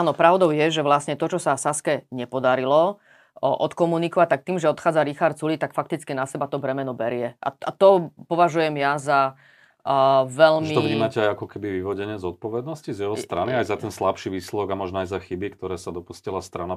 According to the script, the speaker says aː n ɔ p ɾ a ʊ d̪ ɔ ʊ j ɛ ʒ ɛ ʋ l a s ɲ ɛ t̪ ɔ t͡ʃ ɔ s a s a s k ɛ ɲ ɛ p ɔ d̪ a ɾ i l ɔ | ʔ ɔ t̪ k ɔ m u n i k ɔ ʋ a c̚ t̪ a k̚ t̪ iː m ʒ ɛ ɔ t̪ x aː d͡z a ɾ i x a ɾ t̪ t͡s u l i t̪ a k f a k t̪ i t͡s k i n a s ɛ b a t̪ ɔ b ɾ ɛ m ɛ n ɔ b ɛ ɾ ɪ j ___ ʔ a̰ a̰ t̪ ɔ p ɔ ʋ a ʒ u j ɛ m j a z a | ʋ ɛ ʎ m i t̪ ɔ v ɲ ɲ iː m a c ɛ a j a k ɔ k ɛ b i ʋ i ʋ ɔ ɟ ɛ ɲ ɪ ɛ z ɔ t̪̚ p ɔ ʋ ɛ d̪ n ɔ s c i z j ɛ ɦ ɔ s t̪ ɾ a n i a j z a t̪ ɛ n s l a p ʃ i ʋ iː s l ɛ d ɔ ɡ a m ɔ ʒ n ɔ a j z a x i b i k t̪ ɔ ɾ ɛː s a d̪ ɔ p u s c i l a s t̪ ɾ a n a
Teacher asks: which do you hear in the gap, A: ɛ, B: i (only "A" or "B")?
A